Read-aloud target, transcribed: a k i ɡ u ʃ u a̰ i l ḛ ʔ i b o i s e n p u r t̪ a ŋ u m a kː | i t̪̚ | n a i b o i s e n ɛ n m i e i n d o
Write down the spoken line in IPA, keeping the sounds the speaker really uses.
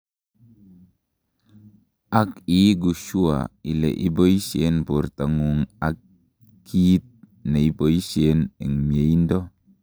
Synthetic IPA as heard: a k i ɡ u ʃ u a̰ i l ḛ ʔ i b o i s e n p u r t̪ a ŋ u ŋ a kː | i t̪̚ | n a i b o i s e n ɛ ŋ m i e i n d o